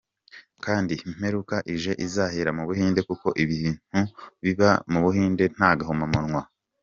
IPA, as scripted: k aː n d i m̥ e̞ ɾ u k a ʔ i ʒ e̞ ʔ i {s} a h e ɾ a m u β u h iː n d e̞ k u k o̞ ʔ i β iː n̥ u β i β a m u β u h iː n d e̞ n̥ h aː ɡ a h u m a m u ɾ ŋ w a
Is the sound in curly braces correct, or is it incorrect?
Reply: incorrect